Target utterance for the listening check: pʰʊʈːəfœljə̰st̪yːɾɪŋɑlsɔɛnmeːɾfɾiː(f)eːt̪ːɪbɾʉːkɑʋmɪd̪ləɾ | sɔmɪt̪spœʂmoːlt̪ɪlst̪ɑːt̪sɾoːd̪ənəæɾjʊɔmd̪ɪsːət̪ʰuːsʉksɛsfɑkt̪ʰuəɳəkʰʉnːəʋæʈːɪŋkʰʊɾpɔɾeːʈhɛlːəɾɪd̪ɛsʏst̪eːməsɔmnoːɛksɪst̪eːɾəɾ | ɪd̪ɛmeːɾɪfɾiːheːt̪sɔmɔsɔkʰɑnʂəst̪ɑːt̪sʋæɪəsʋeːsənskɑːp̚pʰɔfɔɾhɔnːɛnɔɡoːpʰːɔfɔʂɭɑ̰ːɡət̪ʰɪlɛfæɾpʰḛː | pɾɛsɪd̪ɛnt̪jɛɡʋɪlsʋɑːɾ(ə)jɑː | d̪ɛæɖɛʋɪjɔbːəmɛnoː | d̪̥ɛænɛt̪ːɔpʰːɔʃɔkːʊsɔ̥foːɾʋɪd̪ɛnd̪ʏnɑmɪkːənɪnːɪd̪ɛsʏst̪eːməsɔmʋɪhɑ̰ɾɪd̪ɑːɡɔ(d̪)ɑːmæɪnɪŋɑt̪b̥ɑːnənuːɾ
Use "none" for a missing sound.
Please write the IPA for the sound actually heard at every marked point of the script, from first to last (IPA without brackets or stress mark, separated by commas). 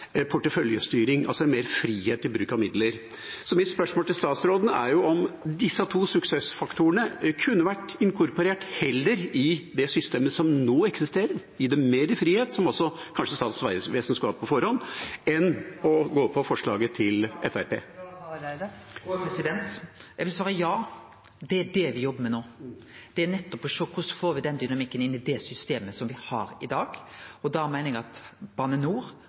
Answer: h, ə, d̪